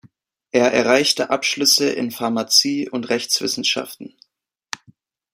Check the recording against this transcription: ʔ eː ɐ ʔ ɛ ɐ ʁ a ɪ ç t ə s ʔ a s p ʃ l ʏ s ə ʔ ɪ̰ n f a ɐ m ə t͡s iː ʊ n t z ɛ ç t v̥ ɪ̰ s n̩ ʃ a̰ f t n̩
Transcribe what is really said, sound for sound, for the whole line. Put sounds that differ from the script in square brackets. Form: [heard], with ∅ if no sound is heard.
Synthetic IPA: ʔ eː ɐ ʔ ɛ ɐ ʁ a ɪ ç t ə [∅] ʔ a [∅] p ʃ l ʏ s ə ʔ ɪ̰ n f a ɐ m [a] t͡s iː ʊ n t [ʁ] ɛ ç [t͡s] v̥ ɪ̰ s n̩ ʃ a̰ f t n̩